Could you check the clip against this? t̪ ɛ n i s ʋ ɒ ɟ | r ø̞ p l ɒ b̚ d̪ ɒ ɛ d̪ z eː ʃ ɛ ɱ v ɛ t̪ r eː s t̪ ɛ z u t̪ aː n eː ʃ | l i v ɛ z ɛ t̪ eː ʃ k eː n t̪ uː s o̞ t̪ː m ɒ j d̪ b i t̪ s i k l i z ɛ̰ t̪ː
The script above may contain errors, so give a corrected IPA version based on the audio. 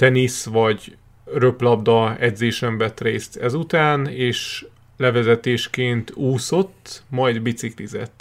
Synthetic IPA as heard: t̪ ɛ n i s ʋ ɒ ɟ | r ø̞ p l ɒ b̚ d̪ ɒ ɛ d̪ z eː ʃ ɛ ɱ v ɛ t̪ r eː s t̪ ɛ z u t̪ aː n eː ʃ | l ɛ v ɛ z ɛ t̪ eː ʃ k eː n t̪ uː s o̞ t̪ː m ɒ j d̪ b i t̪ s i k l i z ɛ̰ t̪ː